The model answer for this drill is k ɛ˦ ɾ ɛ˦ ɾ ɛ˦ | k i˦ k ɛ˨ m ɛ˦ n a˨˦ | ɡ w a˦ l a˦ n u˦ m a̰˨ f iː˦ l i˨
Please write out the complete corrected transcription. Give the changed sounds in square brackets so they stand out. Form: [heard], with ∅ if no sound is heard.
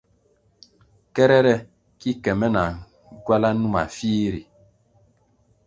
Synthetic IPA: k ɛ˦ ɾ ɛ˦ ɾ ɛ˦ | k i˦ k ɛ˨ m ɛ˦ n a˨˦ | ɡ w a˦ l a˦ n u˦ m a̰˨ f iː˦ [ɾ] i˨

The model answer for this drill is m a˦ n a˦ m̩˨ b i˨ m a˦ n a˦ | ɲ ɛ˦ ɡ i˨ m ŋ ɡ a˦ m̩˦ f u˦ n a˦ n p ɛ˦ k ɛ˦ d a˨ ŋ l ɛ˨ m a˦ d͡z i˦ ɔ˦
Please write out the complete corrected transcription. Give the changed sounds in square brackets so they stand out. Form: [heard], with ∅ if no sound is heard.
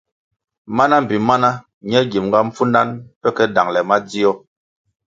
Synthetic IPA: m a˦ n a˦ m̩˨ b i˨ m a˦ n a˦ | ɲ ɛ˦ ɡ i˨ m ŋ ɡ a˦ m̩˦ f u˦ n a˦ n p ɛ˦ k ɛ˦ d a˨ ŋ l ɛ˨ m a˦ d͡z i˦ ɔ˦

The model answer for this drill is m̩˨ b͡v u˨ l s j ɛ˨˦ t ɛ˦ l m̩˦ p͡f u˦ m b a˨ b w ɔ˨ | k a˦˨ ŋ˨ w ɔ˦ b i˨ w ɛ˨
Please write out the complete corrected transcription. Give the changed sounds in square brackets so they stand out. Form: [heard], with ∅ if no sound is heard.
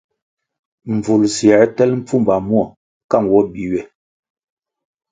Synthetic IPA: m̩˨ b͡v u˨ l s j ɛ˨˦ t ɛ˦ l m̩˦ p͡f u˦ m b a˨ [m] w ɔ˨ | k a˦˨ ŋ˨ w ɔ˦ b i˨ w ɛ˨

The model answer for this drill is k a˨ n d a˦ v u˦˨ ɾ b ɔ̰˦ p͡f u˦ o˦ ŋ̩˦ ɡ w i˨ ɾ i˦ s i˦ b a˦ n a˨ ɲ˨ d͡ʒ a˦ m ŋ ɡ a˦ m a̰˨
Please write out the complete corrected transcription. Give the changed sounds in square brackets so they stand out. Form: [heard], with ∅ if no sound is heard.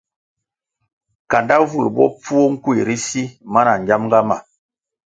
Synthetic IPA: k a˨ n d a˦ v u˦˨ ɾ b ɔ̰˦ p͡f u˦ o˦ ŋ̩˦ [k] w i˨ ɾ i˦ s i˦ [m] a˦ n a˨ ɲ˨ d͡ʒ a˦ m ŋ ɡ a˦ m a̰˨

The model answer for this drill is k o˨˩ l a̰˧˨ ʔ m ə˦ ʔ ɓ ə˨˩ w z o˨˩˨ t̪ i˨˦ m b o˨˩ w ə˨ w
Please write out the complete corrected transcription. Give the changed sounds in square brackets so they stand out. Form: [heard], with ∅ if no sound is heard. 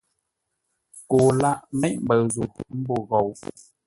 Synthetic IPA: k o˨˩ l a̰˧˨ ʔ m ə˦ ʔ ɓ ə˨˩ w z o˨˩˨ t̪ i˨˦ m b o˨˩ [ɣ] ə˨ w

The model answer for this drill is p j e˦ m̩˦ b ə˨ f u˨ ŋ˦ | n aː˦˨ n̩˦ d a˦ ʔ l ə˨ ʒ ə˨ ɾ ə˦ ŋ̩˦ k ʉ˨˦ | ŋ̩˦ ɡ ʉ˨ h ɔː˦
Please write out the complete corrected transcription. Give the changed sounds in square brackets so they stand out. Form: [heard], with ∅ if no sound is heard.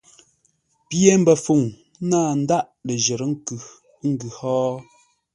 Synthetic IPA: p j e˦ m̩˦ b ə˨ f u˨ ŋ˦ | n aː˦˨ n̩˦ d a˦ ʔ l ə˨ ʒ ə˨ ɾ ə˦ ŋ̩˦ k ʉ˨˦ | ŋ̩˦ ɡ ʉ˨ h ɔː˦

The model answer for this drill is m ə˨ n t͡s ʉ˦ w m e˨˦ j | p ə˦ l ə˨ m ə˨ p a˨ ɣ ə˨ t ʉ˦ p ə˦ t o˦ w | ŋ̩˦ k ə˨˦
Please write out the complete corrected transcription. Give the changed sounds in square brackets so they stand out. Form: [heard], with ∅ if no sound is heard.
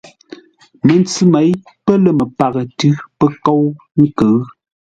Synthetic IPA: m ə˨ n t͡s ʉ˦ [∅] m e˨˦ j | p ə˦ l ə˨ m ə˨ p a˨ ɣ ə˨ t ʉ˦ p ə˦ [k] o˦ w | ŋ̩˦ k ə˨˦

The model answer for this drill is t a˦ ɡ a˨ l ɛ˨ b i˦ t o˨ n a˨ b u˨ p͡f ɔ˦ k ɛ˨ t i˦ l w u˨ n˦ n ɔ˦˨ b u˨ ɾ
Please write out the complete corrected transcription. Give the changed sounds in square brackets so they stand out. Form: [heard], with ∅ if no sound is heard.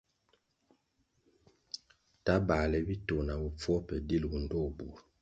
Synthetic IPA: t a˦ [b] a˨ l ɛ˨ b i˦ t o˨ n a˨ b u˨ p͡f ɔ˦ [p] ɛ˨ [d] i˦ l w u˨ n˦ [d] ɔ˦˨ b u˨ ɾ

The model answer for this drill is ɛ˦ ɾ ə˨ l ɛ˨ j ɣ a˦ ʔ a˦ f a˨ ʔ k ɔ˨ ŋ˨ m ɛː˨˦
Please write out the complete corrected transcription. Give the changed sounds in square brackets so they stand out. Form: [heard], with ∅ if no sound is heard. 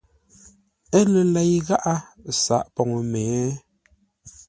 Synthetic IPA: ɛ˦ [l] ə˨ l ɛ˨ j ɣ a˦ ʔ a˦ [s] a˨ ʔ [p] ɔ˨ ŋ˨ m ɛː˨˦

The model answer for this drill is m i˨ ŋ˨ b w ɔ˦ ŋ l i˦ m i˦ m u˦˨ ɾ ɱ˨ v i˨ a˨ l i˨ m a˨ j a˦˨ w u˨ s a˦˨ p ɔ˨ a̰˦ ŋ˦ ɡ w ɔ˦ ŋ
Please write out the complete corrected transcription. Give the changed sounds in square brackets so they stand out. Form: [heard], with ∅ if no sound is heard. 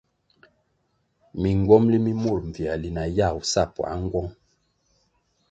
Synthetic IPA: m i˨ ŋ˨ [ɡ] w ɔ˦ [m] l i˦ m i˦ m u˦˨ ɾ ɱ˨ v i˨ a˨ l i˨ [n] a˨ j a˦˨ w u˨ s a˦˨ p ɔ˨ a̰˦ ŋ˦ ɡ w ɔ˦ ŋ

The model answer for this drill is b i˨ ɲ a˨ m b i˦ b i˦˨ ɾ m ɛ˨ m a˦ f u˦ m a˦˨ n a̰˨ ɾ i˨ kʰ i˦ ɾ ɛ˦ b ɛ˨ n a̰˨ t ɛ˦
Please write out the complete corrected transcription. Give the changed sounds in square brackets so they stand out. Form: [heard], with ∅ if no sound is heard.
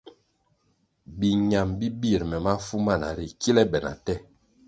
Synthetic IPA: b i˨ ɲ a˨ m b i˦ b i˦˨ ɾ m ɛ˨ m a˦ f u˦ m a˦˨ n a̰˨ ɾ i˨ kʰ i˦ [l] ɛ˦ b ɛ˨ n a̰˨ t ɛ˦

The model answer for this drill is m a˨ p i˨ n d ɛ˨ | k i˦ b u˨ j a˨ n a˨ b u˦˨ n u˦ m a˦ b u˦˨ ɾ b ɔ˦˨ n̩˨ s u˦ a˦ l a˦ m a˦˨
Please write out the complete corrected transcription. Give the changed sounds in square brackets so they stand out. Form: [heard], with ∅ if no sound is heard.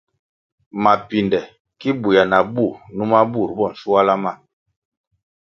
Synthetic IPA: m a˨ p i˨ n d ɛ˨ | k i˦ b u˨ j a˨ n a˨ b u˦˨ n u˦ m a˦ b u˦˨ ɾ b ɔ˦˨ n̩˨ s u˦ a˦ l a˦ m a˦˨

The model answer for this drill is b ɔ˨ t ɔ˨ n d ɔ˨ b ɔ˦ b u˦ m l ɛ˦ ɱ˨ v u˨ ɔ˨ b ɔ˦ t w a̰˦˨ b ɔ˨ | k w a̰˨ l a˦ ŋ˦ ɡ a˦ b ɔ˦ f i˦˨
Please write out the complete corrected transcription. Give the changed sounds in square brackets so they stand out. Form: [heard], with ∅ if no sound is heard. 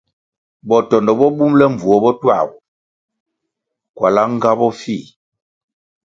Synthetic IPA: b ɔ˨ t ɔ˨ n d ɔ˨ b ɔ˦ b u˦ m l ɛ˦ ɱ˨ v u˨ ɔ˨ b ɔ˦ t w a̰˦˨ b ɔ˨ | k w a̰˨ l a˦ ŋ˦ ɡ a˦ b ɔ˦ f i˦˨

